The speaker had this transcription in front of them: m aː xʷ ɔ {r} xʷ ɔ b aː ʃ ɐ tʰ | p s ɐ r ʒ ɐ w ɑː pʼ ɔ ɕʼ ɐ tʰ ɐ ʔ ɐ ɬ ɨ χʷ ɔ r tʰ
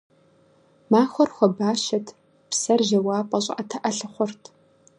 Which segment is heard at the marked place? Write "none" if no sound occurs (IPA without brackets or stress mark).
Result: r